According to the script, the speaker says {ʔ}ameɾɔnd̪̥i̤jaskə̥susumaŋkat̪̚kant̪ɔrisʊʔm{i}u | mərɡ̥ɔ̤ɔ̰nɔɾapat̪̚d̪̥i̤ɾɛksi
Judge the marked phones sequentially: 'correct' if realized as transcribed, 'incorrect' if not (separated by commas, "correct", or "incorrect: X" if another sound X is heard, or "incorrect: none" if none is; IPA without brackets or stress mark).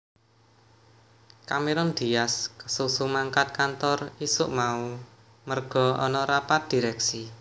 incorrect: k, incorrect: a